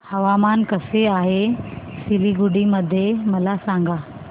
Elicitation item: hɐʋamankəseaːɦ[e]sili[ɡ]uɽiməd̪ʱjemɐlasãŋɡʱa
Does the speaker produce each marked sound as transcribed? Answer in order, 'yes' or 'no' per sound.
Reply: yes, yes

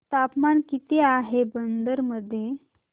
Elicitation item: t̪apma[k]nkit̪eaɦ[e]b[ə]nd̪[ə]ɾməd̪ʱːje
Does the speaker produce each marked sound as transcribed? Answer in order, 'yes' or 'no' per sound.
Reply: no, yes, yes, yes

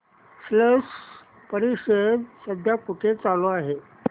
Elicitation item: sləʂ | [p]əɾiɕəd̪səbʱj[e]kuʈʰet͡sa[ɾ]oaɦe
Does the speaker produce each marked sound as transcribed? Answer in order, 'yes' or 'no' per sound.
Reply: yes, no, no

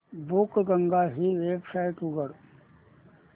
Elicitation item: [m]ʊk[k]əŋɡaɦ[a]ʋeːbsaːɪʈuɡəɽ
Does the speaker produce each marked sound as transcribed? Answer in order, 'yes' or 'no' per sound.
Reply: no, no, no

